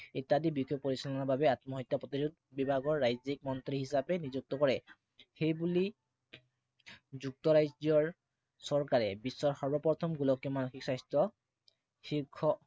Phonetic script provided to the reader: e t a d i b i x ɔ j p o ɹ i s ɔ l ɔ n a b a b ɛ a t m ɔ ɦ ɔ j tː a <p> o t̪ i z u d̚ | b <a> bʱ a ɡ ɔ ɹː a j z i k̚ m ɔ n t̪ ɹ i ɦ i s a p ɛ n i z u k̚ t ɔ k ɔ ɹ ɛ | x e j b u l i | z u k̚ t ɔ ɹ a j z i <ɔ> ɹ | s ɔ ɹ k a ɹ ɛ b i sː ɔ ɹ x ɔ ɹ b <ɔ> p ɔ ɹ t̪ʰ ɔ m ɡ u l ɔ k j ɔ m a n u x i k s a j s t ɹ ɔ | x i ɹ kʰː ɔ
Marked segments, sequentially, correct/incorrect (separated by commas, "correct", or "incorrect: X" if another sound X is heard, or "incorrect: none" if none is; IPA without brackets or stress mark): correct, incorrect: i, correct, correct